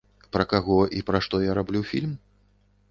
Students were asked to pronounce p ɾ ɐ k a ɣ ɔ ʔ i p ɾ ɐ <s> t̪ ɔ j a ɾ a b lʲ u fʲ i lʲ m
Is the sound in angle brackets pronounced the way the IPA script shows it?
no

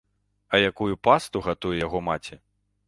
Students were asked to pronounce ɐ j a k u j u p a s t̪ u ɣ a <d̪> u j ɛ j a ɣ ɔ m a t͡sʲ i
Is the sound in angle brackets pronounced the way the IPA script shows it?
no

